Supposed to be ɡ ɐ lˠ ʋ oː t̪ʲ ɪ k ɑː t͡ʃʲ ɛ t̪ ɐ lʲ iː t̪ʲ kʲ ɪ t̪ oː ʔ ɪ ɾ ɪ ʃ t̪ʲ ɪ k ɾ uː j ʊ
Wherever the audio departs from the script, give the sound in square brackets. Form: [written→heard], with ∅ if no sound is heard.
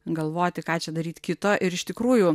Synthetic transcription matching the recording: ɡ ɐ lˠ ʋ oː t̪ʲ ɪ k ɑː t͡ʃʲ ɛ [t̪→d̪] ɐ [lʲ→ɾʲ] iː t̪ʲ kʲ ɪ t̪ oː ʔ ɪ ɾ ɪ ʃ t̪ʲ ɪ k ɾ uː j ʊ